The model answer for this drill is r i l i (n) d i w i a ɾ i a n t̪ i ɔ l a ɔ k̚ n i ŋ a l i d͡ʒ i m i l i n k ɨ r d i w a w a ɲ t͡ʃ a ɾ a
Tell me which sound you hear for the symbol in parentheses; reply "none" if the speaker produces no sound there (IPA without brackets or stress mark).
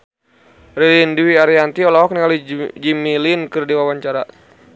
n